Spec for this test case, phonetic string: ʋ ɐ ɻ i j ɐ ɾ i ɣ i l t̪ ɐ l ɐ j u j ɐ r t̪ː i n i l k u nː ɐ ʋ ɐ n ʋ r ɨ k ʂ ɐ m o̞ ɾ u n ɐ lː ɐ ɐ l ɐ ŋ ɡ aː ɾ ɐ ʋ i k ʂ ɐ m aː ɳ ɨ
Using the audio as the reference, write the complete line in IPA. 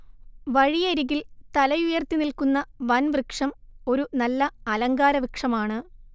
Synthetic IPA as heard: ʋ ɐ ɻ i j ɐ ɾ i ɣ i l t̪ ɐ l ɐ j u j ɐ r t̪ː i n i l k u nː ɐ ʋ ɐ n ʋ r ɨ k ʂ ɐ m o̞ ɾ u n ɐ lː ɐ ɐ l ɐ ŋ ɡ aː ɾ ɐ ʋ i k ʂ ɐ m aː ɳ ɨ

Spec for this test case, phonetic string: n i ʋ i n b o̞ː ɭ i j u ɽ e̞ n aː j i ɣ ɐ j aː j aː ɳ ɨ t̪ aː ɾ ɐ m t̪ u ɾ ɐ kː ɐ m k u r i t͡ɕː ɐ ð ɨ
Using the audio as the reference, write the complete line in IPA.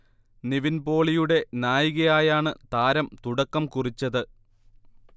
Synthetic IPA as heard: n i ʋ i n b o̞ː ɭ i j u ɽ e̞ n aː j i ɣ ɐ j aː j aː ɳ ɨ t̪ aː ɾ ɐ m t̪ u ɽ ɐ kː ɐ m k u r i t͡ɕː ɐ ð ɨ

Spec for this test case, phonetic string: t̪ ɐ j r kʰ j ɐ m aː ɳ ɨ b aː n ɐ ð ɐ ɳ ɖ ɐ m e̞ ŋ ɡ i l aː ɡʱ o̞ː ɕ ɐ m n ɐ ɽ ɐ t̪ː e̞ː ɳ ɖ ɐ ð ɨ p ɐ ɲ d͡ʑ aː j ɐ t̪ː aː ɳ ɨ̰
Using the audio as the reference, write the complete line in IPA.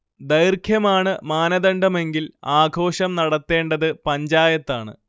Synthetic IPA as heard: d̪ ɐ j r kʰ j ɐ m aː ɳ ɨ m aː n ɐ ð ɐ ɳ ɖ ɐ m e̞ ŋ ɡ i l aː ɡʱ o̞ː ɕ ɐ m n ɐ ɽ ɐ t̪ː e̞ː ɳ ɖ ɐ ð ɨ p ɐ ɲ d͡ʑ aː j ɐ t̪ː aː ɳ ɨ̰

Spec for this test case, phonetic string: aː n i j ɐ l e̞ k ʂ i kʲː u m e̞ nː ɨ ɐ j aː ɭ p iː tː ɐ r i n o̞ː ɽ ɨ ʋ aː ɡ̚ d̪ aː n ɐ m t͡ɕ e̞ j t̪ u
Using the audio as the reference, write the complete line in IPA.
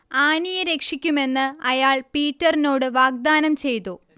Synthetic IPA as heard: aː n i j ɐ ɾ e̞ k ʂ i kʲː u m e̞ nː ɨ ɐ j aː ɭ p iː tː ɐ r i n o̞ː ɽ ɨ ʋ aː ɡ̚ d̪ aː n ɐ m t͡ɕ e̞ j t̪ u

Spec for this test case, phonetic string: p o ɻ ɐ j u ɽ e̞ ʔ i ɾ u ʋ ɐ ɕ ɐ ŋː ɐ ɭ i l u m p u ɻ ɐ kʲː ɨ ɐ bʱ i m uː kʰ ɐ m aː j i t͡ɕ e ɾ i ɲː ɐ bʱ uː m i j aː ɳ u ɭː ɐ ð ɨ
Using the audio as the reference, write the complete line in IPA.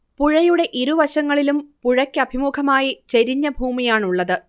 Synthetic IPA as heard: p u ɻ ɐ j u ɽ e̞ ʔ i ɾ u ʋ ɐ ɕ ɐ ŋː ɐ ɭ i l u m p u ɻ ɐ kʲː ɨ ɐ bʱ i m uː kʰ ɐ m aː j i t͡ɕ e ɾ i ɲː ɐ bʱ uː m i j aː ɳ u ɭː ɐ ð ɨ

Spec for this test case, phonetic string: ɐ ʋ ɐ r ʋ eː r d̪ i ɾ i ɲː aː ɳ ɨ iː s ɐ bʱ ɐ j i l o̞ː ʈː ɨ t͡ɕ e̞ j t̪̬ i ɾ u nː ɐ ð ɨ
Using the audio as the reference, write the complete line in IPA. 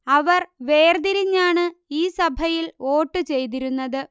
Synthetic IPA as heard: ɐ ʋ ɐ r ʋ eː r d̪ i ɾ i ɲː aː ɳ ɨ iː s ɐ bʱ ɐ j i l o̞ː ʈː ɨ t͡ɕ e̞ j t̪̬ i ɾ u nː ɐ ð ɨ

